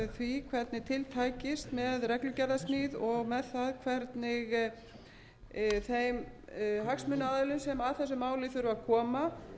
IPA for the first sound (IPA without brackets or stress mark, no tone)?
θ